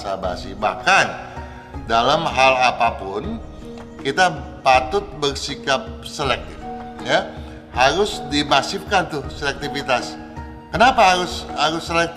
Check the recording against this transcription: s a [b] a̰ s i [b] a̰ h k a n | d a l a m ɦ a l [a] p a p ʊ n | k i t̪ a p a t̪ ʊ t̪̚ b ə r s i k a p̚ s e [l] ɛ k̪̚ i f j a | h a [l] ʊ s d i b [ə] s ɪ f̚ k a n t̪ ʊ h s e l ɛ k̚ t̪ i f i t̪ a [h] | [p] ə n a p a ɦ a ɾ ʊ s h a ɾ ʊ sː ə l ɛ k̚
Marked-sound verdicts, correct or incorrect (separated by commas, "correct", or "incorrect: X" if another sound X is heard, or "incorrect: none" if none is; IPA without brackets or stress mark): correct, correct, correct, correct, incorrect: ɾ, incorrect: a, incorrect: s, incorrect: k